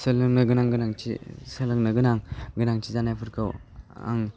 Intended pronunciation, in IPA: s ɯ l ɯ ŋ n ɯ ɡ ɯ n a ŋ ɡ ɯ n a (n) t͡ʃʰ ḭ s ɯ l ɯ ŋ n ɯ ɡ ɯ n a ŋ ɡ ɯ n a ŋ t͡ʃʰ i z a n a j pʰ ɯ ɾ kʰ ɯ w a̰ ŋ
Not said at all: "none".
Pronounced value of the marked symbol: ŋ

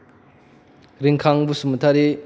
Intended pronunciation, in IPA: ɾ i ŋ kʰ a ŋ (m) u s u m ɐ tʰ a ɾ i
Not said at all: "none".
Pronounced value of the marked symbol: b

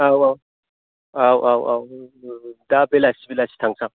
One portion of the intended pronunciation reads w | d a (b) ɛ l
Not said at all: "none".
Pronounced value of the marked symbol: b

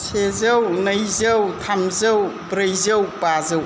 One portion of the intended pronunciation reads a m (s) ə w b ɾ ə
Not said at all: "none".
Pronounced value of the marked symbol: z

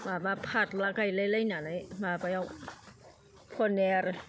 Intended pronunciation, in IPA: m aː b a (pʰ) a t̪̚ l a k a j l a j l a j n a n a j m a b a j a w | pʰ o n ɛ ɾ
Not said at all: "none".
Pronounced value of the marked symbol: pʰ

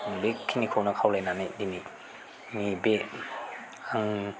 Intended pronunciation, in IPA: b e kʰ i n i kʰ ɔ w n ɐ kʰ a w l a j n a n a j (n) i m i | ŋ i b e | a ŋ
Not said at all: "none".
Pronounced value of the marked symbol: d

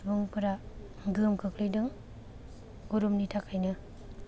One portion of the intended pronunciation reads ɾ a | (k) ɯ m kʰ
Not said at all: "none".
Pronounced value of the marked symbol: ɡ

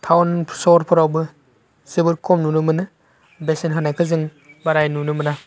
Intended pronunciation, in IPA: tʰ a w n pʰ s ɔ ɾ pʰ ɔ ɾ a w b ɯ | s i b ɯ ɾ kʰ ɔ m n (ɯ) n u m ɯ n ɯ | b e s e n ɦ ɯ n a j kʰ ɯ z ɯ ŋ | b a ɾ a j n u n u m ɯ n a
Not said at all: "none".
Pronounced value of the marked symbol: u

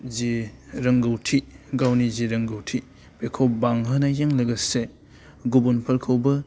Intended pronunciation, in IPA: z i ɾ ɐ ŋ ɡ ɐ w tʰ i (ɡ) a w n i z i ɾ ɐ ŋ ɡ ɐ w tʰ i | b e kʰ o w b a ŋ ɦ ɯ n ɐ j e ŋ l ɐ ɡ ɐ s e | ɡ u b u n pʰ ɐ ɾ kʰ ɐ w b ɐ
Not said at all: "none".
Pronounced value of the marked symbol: ɡ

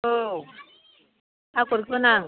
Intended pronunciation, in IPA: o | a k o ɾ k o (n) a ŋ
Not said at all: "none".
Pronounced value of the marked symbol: n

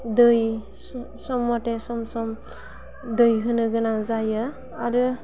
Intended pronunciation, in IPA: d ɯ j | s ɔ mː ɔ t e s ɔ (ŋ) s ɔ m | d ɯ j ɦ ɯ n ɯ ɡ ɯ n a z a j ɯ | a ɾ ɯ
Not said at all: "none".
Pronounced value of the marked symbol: m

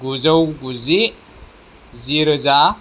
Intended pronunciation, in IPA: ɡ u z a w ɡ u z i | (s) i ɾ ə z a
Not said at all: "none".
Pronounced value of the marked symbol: z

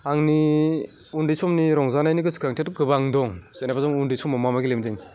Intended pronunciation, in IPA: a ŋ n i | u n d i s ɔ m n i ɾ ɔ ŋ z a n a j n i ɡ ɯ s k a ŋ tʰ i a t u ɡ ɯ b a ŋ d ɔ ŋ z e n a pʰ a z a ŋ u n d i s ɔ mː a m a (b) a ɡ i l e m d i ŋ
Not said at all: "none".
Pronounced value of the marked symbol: m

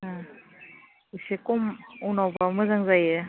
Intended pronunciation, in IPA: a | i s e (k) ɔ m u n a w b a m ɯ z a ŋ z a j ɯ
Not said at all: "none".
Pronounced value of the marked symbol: k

